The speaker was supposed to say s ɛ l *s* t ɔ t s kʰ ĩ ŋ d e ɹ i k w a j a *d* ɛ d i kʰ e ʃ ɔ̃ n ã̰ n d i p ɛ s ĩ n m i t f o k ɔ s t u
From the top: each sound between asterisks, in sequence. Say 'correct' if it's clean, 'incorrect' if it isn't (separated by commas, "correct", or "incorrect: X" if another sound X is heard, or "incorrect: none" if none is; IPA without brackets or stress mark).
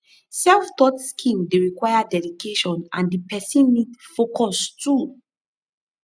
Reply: incorrect: f, correct